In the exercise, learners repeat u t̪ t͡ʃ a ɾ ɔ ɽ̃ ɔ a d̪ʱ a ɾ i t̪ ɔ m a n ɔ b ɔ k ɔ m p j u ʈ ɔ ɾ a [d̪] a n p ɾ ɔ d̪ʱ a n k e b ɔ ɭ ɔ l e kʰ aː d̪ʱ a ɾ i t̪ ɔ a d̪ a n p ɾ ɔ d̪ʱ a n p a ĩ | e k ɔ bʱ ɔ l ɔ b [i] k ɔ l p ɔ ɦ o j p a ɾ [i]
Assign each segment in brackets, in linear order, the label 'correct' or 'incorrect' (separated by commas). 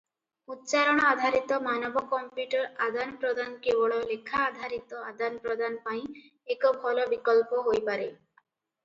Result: correct, correct, incorrect